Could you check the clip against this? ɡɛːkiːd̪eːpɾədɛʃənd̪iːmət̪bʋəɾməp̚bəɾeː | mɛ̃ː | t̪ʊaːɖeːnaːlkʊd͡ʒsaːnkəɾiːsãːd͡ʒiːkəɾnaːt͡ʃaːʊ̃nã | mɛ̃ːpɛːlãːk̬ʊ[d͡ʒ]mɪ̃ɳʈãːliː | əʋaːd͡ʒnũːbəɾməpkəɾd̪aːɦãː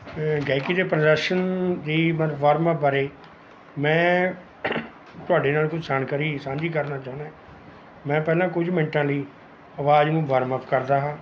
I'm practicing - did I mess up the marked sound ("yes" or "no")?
no